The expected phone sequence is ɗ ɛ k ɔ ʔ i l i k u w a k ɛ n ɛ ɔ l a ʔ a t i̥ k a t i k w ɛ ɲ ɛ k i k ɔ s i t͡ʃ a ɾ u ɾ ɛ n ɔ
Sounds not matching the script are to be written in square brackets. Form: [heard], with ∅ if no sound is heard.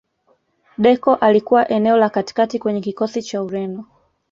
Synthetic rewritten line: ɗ ɛ k ɔ ʔ [a] l i k u w a [ʔ] ɛ n ɛ ɔ l a [k] a t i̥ k a t i k w ɛ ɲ ɛ k i k ɔ s i t͡ʃ a [∅] u ɾ ɛ n ɔ